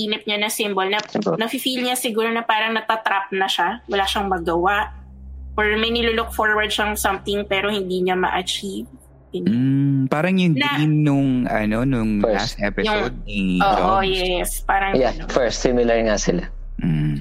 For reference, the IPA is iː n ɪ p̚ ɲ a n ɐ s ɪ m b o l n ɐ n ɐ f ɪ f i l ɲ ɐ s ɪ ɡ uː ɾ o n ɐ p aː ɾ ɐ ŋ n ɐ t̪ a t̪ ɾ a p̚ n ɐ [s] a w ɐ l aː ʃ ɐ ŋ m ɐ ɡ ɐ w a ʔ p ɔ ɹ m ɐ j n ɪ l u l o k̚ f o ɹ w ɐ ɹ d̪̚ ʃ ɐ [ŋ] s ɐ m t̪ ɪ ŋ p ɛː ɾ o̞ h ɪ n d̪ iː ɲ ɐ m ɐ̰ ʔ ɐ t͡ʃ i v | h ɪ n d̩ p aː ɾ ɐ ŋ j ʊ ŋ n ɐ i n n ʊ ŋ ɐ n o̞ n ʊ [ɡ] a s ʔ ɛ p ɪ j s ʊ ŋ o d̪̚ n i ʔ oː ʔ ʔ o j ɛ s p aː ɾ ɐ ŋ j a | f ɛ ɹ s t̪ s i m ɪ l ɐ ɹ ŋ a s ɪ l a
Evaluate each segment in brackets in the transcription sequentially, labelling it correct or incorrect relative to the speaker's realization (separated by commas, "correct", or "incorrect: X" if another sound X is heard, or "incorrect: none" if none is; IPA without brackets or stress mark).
incorrect: ʃ, correct, incorrect: ŋ